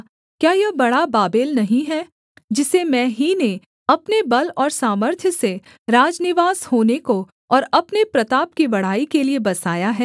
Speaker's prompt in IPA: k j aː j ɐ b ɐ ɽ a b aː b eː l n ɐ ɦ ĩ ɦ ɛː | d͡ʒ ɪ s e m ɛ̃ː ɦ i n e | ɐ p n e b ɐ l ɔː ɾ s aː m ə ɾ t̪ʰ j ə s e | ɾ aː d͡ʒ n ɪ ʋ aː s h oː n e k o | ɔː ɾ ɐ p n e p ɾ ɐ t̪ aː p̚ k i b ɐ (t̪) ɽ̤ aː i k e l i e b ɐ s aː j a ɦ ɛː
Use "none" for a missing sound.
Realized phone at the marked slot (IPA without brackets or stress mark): none